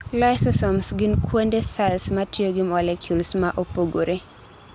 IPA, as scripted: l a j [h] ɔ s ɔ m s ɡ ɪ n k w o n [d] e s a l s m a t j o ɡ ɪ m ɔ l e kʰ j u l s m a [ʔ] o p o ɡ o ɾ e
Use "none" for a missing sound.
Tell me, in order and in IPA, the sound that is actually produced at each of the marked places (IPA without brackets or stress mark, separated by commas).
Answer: s, d, ʔ